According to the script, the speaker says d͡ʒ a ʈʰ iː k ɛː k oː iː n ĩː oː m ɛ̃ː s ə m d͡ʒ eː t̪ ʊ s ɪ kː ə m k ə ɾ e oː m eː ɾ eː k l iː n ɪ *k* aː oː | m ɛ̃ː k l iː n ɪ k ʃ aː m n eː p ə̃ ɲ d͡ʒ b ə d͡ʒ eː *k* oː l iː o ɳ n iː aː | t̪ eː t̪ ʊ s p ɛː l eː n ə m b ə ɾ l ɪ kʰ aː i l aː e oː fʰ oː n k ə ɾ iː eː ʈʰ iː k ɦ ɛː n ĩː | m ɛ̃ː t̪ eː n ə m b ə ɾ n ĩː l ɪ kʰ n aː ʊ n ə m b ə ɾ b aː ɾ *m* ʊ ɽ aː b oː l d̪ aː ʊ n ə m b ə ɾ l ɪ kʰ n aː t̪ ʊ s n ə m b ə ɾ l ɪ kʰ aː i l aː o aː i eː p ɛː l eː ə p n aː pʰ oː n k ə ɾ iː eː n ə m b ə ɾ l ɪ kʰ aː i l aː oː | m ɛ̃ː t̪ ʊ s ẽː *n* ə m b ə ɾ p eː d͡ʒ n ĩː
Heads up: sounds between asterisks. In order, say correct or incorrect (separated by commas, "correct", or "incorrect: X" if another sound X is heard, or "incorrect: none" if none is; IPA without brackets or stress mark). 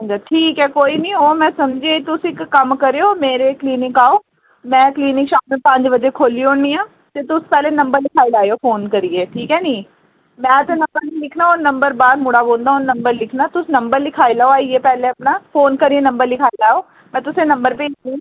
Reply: correct, incorrect: kʰ, correct, correct